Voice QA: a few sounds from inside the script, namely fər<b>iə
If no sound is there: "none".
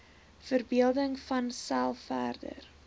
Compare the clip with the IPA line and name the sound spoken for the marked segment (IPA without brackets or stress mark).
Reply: b